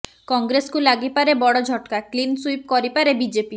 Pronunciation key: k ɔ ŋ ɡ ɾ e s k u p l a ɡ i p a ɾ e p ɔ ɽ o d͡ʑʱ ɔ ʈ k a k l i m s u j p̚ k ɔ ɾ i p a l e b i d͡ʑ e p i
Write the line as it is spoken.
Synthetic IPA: k ɔ ŋ ɡ ɾ e s k u l a ɡ i p a ɾ e b ɔ ɽ o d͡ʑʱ ɔ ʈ k a k l i n s u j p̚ k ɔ ɾ i p a ɾ e b i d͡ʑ e p i